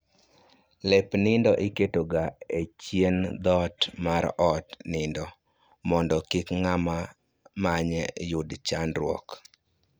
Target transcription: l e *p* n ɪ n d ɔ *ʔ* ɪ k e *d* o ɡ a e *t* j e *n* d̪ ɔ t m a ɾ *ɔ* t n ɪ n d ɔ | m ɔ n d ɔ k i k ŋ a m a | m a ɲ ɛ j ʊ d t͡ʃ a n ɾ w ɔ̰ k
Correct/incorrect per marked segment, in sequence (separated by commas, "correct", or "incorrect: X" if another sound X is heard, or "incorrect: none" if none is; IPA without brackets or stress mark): correct, correct, incorrect: t, incorrect: t͡ʃ, correct, correct